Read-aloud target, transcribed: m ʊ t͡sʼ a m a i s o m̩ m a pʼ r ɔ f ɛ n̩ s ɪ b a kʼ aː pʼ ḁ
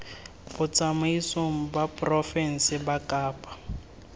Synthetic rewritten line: b ʊ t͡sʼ a m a i s o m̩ b a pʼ r ɔ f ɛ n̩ s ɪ b a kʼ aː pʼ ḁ